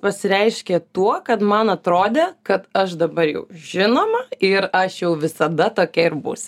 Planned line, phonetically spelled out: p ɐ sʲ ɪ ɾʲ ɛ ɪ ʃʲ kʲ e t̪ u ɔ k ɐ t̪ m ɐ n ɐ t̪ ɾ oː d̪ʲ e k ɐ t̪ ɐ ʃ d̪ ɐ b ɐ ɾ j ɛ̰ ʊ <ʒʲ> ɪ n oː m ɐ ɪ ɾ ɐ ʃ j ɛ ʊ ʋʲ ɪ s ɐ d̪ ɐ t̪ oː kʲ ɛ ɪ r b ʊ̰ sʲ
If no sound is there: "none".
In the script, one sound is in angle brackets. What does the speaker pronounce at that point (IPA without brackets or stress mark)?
ʒʲ